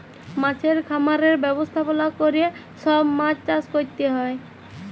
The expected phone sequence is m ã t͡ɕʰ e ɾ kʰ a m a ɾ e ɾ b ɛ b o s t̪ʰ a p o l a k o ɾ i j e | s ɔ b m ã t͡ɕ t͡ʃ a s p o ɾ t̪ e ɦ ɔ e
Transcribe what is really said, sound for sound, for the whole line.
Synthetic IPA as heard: m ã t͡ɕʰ e ɾ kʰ a m a ɾ e ɾ b ɛ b o s t̪ʰ a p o l a k o ɾ i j e | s ɔ b m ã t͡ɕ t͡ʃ a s k o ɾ t̪ e ɦ ɔ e